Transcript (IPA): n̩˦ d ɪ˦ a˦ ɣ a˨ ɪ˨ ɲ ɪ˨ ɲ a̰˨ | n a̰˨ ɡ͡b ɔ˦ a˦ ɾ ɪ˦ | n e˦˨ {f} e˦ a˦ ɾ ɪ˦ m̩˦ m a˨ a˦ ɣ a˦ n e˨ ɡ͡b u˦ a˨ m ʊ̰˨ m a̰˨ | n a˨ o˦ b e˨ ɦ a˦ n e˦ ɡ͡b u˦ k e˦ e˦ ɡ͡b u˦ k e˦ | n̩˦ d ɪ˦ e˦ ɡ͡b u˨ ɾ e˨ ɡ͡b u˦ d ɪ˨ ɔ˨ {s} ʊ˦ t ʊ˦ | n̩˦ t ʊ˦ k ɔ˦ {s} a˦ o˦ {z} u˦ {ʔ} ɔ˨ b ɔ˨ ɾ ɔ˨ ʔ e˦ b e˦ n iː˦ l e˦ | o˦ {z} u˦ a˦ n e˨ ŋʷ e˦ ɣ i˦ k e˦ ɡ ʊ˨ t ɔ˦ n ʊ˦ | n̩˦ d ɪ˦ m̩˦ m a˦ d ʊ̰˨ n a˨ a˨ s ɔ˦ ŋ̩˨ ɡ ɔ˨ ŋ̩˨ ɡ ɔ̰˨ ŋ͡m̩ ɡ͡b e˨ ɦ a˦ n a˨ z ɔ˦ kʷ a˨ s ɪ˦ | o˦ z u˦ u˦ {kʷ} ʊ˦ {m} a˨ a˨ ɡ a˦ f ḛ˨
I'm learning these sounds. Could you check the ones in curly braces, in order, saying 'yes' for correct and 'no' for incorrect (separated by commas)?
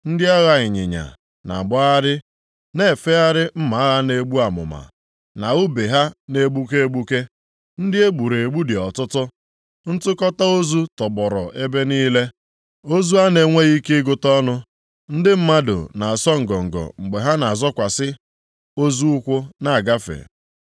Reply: yes, no, no, yes, no, yes, yes, no